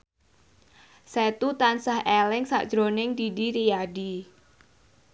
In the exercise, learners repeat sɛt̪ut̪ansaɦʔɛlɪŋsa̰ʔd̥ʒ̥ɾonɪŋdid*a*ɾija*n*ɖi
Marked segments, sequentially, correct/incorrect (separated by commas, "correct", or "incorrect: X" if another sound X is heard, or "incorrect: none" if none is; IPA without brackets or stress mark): incorrect: i, incorrect: none